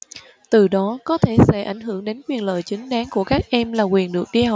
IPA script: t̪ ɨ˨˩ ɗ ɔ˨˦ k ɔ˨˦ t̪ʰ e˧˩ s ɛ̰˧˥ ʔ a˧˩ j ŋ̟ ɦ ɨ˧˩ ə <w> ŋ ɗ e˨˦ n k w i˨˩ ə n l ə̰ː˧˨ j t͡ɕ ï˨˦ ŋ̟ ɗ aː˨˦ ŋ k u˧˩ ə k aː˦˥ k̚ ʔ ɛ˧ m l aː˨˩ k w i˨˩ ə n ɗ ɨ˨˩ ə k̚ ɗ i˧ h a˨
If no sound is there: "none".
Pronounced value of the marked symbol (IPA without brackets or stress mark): none